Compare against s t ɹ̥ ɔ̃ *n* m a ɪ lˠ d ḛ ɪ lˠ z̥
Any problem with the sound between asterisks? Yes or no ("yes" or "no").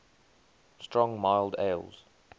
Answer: yes